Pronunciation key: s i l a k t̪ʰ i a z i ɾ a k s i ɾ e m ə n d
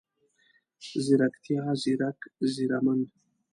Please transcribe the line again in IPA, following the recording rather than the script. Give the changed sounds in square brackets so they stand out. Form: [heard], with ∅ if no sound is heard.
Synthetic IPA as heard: [z] i [ɾ] a k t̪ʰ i a z i ɾ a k [z] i ɾ [a] m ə n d